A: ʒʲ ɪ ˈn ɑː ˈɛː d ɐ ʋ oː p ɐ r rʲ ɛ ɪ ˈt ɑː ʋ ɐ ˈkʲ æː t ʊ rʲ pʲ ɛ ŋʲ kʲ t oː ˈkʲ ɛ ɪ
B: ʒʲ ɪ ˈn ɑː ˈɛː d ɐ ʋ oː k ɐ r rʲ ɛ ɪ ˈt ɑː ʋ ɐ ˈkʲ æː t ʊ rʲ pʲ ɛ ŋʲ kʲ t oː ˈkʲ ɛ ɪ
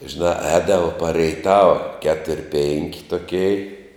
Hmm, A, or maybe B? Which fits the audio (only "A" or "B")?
A